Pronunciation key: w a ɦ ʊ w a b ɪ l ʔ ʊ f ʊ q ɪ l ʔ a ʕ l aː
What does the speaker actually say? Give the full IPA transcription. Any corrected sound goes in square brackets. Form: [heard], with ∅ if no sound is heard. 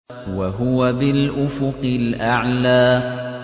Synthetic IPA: w a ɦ ʊ w a b ɪ l ʔ ʊ f ʊ q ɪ l ʔ a ʕ l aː

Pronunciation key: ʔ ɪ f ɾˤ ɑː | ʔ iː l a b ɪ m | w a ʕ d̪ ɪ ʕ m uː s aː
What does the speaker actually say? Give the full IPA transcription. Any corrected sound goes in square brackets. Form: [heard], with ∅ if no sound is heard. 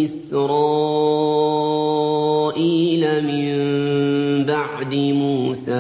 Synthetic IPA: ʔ ɪ [s] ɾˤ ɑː | ʔ iː l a [m] ɪ m | [b] a ʕ d̪ ɪ [∅] m uː s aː

